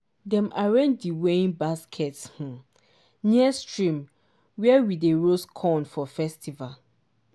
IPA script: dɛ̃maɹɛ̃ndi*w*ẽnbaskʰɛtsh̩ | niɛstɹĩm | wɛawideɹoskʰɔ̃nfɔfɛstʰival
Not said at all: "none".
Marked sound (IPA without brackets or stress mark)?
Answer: w